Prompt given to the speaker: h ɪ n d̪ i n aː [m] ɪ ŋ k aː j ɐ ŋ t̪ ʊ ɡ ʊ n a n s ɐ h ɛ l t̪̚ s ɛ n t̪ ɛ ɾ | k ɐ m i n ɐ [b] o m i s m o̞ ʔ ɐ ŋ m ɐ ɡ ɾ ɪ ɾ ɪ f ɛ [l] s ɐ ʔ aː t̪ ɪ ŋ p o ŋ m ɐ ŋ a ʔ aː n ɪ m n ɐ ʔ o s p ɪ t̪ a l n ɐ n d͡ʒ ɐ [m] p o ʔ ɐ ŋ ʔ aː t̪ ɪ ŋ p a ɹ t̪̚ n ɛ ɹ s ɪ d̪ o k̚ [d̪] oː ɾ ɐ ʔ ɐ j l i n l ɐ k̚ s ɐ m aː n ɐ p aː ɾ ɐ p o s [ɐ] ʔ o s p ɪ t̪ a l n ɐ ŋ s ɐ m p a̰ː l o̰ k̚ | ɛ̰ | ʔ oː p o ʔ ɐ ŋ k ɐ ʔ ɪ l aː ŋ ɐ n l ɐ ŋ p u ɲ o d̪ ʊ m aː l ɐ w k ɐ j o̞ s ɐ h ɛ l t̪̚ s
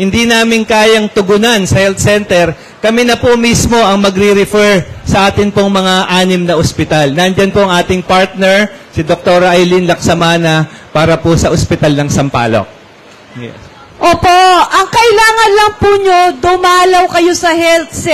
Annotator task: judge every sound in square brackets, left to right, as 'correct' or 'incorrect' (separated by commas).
correct, incorrect, incorrect, incorrect, incorrect, correct